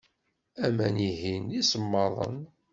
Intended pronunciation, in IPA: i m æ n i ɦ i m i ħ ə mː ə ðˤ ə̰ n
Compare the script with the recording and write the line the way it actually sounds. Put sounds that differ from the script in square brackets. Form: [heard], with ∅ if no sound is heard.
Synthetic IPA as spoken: [æ] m æ n i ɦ i [n] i [s] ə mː [ɑ] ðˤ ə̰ n